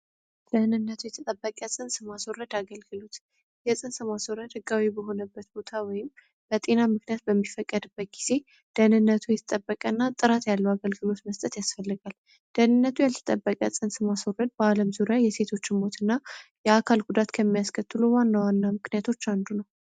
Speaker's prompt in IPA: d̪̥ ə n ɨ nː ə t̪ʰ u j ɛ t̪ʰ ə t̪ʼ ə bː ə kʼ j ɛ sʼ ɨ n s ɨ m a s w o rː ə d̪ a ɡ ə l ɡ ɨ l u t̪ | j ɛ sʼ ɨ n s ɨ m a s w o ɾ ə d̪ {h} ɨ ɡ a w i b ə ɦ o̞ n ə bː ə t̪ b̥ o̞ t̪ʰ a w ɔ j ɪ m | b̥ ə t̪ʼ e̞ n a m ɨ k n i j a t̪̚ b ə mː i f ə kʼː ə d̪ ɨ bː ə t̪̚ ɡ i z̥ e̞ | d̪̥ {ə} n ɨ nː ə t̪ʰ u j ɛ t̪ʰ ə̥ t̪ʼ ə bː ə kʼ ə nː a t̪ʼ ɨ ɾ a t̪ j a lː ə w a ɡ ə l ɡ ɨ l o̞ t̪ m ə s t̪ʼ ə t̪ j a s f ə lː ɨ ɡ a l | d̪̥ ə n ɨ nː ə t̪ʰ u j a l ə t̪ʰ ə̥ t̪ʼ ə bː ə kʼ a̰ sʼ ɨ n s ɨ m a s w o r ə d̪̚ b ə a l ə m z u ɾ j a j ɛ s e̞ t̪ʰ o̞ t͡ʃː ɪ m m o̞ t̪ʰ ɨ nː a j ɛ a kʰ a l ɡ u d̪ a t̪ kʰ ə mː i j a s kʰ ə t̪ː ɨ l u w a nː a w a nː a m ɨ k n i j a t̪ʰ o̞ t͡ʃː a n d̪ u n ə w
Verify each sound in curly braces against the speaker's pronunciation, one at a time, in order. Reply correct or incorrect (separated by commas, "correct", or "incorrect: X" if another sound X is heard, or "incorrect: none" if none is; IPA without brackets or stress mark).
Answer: correct, correct